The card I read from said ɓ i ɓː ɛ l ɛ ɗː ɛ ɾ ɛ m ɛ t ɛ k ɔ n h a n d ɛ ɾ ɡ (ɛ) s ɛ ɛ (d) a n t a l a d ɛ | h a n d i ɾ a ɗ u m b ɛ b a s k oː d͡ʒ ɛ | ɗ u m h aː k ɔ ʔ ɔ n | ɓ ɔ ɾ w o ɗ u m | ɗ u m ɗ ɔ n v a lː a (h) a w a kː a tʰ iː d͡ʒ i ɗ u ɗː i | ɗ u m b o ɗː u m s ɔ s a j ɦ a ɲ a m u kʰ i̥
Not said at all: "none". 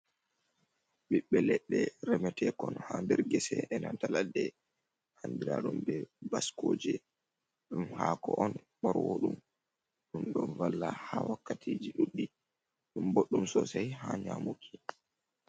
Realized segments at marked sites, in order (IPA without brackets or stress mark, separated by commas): ɛ, n, h